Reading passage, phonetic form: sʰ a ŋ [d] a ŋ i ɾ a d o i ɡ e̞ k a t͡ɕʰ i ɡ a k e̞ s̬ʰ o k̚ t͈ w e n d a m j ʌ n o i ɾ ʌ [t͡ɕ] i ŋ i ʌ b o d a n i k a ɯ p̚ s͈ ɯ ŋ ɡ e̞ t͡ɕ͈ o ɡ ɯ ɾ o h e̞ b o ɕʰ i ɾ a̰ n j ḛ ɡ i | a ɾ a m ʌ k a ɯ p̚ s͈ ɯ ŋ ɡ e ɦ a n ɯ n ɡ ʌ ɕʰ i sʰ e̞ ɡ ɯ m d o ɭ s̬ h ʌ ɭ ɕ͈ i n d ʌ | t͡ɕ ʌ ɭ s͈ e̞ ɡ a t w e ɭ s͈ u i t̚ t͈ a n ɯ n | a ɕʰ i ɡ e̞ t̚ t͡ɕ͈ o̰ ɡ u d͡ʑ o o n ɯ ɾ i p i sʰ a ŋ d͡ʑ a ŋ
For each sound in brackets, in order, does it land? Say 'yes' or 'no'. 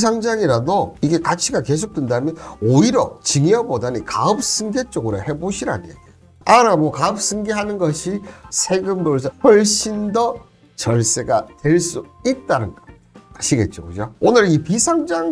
no, yes

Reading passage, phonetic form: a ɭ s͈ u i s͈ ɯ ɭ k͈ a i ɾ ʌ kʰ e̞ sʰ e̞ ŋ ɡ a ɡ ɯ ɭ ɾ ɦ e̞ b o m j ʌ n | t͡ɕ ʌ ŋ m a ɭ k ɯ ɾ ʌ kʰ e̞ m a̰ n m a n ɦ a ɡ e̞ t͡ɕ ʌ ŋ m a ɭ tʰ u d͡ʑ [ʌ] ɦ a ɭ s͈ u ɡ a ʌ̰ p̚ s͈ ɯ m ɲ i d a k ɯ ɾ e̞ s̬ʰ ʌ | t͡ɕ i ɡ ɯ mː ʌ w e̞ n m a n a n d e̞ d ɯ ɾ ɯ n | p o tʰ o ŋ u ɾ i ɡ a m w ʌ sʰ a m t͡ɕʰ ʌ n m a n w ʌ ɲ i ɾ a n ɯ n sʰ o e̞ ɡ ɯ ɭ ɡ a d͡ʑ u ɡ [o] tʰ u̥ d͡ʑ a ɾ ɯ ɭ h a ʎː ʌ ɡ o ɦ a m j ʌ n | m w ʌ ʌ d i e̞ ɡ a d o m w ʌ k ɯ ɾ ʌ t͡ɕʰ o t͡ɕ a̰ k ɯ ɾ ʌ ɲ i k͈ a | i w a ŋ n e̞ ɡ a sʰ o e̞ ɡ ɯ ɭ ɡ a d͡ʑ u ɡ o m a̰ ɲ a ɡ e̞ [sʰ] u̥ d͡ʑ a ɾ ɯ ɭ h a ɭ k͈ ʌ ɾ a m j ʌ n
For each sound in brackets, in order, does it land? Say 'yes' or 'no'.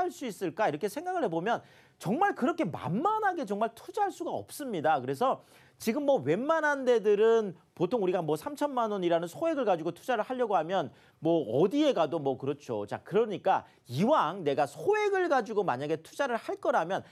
no, yes, no

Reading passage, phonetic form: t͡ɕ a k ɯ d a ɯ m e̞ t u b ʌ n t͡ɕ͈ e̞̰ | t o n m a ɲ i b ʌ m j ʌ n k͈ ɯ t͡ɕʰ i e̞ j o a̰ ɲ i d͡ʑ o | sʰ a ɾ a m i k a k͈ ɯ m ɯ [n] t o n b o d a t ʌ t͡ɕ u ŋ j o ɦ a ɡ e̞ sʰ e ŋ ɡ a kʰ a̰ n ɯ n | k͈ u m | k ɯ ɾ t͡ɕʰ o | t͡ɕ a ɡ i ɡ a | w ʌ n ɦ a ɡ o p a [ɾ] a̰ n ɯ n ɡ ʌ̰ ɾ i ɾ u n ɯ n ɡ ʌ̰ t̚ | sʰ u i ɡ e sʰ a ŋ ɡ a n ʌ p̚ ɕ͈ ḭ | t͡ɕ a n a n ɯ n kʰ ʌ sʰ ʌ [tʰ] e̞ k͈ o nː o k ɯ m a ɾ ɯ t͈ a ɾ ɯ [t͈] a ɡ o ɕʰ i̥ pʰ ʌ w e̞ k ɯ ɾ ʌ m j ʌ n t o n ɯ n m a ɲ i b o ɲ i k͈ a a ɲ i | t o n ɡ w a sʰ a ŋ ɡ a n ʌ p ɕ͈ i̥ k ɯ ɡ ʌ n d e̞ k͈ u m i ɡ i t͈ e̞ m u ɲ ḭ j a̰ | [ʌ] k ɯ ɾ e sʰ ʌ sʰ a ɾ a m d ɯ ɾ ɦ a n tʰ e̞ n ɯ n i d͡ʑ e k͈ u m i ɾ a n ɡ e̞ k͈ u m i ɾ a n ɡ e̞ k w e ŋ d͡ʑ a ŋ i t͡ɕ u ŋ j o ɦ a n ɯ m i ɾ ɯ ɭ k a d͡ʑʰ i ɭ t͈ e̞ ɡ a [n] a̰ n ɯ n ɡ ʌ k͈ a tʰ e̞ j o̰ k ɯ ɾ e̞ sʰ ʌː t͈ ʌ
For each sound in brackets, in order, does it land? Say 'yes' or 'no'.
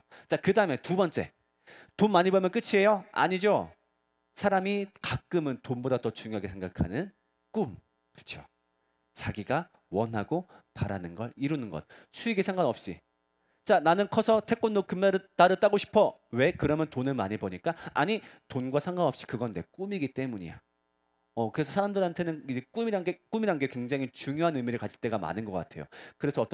yes, yes, yes, yes, yes, no

